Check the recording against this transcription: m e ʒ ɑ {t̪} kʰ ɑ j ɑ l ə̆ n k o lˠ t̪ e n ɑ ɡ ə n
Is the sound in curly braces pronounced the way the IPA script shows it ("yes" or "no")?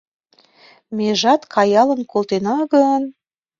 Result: yes